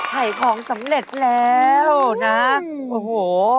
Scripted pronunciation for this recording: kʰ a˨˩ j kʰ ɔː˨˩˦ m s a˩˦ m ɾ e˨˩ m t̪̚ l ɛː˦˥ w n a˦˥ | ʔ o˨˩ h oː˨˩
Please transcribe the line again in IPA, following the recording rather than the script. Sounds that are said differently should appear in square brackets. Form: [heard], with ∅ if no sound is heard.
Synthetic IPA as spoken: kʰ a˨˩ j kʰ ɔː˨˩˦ [ŋ] s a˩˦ m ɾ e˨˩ [∅] t̪̚ l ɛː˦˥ w n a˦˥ | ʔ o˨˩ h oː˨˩